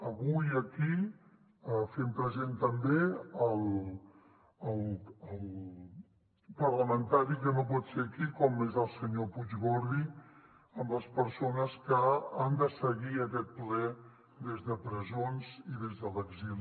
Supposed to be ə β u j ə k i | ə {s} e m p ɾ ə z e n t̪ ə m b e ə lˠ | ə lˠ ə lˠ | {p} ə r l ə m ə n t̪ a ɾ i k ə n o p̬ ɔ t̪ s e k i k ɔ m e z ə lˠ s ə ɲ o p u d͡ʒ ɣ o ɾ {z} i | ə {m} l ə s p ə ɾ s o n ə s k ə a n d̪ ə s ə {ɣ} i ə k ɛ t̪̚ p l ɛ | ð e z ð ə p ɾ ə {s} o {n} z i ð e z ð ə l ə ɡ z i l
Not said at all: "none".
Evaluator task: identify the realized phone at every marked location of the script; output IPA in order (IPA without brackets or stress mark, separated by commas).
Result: f, p, ð, m, ɣ, z, n